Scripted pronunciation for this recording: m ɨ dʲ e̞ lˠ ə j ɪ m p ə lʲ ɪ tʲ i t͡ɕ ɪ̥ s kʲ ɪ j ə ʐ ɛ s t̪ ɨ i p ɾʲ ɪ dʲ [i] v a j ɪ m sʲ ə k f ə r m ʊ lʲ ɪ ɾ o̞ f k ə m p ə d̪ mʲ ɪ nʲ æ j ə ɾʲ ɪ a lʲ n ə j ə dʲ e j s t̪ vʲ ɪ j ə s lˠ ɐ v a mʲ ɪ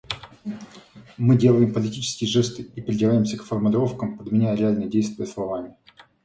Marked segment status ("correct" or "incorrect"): incorrect